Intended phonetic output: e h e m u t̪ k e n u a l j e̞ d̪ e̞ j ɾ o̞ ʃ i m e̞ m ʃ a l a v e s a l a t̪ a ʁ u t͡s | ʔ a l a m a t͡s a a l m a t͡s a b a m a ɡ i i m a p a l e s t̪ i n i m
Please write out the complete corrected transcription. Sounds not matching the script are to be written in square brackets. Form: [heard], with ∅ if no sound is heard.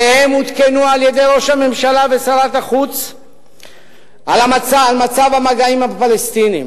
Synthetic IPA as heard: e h e m u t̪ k e n u a l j e̞ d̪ e̞ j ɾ o̞ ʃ [a] m e̞ m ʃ a l a v e s a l a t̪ a [χ] u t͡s | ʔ a l a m a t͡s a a l m a t͡s a [v] a m a ɡ [a] i m a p a l e s t̪ i n i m